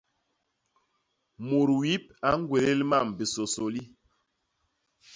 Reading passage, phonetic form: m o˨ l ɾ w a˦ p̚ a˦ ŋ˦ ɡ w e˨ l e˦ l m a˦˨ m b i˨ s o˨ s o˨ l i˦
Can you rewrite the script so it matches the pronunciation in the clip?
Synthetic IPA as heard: m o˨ ɾ w i˦ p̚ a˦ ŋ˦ ɡ w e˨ l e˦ l m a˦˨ m b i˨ s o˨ s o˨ l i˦